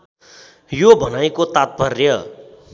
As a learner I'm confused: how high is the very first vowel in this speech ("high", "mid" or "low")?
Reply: mid